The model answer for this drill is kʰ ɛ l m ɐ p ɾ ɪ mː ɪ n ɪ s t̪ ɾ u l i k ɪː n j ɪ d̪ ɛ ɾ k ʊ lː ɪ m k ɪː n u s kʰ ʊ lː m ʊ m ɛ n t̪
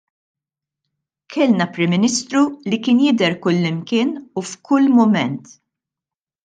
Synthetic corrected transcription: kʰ ɛ l n ɐ p ɾ ɪ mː ɪ n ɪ s t̪ ɾ u l i k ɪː n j ɪ d̪ ɛ ɾ k ʊ lː ɪ m k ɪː n u f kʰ ʊ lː m ʊ m ɛ n t̪